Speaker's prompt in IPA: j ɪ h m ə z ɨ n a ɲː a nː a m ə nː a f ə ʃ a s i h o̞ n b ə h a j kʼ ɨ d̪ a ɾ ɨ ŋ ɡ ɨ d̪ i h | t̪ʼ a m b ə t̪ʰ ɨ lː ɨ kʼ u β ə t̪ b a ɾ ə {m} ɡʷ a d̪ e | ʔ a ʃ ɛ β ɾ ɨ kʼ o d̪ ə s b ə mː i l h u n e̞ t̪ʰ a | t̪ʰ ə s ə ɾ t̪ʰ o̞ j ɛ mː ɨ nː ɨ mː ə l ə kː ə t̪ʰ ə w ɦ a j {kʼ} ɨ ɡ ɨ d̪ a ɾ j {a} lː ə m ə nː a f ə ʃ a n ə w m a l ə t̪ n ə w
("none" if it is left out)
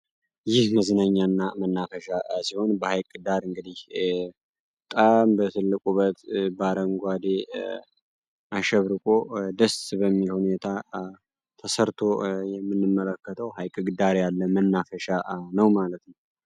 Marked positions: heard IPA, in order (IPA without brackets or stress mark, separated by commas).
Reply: ŋ, kʼ, a